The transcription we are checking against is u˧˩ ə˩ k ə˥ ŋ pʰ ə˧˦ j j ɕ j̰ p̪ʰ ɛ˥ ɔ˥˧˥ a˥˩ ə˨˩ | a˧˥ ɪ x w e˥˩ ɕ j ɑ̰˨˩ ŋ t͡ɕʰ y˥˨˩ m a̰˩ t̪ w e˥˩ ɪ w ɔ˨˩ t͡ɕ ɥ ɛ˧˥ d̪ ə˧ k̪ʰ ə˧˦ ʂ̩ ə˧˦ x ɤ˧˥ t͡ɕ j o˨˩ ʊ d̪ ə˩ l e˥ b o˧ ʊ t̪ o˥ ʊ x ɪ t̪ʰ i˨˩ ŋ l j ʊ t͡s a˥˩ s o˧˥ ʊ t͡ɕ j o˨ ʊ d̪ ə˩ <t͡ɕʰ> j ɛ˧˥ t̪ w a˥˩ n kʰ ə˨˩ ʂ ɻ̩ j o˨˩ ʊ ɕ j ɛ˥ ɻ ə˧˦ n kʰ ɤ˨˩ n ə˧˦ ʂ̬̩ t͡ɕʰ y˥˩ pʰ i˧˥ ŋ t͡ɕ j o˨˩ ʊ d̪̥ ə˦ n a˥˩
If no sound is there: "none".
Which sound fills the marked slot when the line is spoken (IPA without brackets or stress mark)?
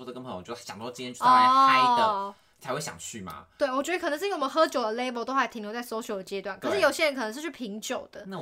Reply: t͡ɕ